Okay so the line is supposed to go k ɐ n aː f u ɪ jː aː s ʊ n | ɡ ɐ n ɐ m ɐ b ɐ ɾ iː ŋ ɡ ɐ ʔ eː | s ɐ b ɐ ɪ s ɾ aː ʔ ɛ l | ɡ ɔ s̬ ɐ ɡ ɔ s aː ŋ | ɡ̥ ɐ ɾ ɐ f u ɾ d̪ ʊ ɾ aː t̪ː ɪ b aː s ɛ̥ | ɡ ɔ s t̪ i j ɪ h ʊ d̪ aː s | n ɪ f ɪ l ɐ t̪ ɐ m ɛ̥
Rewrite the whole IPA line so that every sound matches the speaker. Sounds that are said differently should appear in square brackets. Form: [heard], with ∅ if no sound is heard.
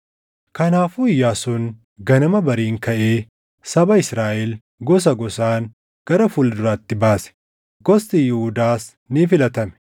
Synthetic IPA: k ɐ n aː f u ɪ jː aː s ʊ n | ɡ ɐ n ɐ m ɐ b ɐ ɾ iː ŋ [k] ɐ ʔ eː | s ɐ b ɐ ɪ s ɾ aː ʔ ɛ l | ɡ ɔ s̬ ɐ ɡ ɔ s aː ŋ | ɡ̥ ɐ ɾ ɐ f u [l] d̪ ʊ ɾ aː t̪ː ɪ b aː s ɛ̥ | ɡ ɔ s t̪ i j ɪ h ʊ d̪ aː s | n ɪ f ɪ l ɐ t̪ ɐ m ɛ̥